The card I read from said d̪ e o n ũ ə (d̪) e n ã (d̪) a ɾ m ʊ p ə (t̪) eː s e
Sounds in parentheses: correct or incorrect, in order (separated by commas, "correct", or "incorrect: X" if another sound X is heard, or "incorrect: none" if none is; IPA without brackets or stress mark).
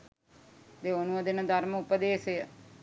correct, correct, incorrect: d̪